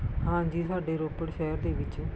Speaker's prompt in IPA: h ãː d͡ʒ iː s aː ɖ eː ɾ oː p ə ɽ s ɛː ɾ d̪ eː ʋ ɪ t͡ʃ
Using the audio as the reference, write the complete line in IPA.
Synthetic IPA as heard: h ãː d͡ʒ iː s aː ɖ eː ɾ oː p ə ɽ ʃ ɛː ɾ d̪ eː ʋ ɪ t͡ʃ